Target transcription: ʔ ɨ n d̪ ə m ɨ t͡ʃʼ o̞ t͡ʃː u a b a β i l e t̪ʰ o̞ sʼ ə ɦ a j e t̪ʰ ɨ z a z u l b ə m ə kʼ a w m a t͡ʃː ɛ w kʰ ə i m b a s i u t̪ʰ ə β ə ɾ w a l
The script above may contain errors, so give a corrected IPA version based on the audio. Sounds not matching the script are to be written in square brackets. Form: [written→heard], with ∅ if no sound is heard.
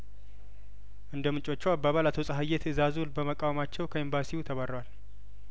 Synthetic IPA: ʔ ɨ n d̪ ə m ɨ t͡ʃʼ o̞ t͡ʃː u a b a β [i→a] l [e→a] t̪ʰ o̞ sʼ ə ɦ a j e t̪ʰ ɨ z a z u l b ə m ə kʼ a w m a t͡ʃː ɛ w kʰ ə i m b a s i u t̪ʰ ə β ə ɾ w a l